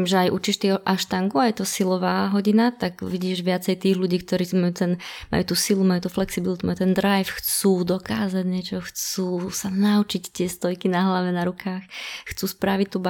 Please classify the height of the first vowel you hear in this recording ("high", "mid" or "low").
mid